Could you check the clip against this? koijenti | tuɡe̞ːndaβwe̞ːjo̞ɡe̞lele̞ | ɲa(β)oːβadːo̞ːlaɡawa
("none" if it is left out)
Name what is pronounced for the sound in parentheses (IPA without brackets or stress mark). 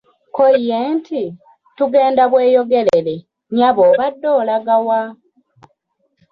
β